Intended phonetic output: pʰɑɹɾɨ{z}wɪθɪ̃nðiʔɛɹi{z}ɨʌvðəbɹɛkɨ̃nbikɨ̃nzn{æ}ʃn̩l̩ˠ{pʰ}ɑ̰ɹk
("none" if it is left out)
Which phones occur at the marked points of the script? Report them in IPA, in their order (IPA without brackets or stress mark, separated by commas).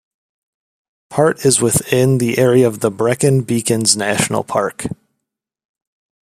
z, none, æ, pʰ